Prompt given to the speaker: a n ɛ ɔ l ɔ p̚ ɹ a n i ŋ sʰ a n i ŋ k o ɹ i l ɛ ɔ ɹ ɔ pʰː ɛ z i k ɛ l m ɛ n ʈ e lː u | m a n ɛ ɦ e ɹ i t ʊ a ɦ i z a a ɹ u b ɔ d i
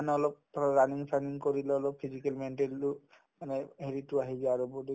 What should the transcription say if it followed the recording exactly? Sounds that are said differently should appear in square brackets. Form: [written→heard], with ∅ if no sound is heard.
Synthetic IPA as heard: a n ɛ ɔ l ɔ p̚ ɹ a n i ŋ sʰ a n i ŋ k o ɹ i l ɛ ɔ [ɹ→l] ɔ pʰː [ɛ→i] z i k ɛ l m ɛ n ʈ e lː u | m a n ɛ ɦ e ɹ i t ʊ a ɦ i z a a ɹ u b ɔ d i